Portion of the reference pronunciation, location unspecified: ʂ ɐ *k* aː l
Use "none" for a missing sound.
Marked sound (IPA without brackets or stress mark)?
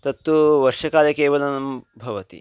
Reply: k